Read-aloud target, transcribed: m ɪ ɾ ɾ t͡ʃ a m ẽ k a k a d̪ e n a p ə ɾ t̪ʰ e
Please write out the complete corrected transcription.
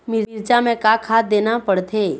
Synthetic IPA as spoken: m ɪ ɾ ɾ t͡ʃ a m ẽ k a kʰ a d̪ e n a p ə ɽ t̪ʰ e